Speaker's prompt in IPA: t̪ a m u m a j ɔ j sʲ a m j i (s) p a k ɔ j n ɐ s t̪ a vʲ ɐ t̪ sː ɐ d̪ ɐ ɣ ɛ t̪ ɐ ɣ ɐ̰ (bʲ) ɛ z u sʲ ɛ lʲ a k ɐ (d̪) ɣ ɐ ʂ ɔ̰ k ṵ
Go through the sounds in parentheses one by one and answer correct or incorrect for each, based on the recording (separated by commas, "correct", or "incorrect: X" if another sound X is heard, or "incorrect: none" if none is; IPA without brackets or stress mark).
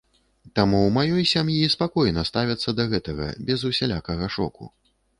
correct, correct, incorrect: none